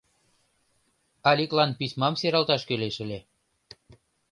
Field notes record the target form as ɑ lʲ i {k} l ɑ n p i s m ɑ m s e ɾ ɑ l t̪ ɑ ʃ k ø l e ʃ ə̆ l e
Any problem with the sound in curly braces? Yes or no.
no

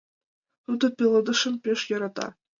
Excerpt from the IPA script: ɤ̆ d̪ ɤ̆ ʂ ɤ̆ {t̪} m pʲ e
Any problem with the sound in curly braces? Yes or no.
yes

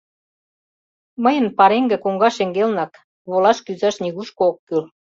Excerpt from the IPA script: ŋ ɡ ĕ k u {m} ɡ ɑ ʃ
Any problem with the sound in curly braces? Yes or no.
yes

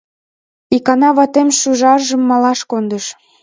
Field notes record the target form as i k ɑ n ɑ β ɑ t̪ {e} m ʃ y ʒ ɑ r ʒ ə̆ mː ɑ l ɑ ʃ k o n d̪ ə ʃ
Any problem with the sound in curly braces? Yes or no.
no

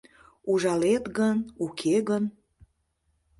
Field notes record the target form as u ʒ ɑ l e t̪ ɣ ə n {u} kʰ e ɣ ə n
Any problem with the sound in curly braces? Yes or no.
no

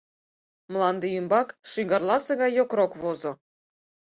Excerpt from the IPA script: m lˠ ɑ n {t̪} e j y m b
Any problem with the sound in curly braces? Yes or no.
yes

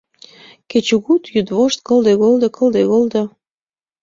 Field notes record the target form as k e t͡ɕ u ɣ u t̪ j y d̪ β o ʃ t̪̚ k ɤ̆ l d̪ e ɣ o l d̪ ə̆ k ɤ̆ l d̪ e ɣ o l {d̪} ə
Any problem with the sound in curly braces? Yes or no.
no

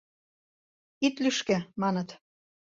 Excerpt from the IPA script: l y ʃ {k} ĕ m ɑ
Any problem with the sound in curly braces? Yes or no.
no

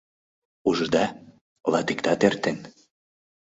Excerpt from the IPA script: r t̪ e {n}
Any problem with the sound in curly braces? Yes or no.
no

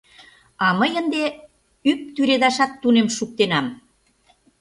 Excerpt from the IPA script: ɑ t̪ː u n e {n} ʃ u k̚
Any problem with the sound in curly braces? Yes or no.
yes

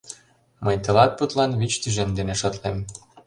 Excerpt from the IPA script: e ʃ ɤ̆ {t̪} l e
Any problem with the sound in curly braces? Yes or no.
no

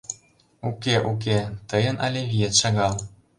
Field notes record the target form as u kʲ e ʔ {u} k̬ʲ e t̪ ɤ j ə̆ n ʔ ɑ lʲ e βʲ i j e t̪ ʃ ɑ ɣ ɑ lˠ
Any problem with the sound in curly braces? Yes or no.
no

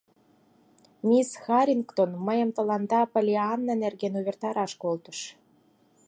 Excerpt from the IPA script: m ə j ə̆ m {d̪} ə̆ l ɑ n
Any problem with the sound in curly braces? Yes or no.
yes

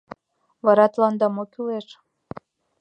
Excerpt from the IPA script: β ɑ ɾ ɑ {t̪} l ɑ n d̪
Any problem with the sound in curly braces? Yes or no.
no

